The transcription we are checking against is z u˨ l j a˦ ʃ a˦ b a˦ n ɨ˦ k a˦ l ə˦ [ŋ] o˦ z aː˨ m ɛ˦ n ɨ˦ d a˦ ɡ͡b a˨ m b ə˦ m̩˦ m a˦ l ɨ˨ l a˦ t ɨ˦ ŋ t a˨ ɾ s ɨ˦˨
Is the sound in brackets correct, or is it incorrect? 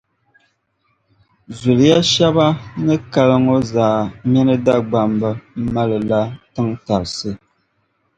correct